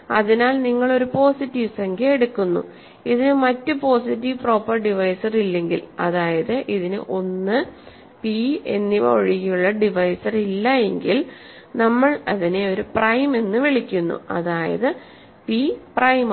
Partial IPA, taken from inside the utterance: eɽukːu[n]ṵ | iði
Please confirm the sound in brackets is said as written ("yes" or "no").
no